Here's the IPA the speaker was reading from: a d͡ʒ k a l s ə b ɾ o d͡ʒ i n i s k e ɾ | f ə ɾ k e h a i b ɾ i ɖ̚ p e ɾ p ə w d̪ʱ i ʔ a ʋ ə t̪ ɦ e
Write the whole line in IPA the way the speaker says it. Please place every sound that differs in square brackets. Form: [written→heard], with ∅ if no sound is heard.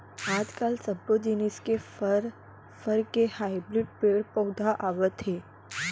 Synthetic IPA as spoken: a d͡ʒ k a l s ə b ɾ o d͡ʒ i n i s k e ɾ | f ə ɾ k e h a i b ɾ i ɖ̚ p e ɾ p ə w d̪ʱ [i→a] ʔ a ʋ ə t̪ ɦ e